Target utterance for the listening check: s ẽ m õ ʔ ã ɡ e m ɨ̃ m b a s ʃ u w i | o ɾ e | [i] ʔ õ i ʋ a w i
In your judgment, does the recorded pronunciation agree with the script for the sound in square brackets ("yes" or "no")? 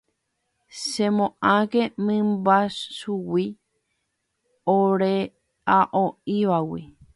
no